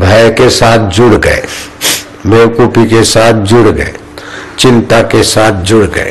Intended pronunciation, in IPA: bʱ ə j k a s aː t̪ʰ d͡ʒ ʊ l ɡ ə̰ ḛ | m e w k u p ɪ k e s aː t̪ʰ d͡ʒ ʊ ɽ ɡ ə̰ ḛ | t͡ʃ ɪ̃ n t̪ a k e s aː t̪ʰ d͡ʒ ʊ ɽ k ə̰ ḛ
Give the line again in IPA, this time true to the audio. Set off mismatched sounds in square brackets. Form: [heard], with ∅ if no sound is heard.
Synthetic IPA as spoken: bʱ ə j k [e] s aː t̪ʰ d͡ʒ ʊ [ɽ] ɡ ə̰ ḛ | m e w k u p [i] k e s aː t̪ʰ d͡ʒ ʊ ɽ ɡ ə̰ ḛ | t͡ʃ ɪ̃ n t̪ a k e s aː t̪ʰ d͡ʒ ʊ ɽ [ɡ] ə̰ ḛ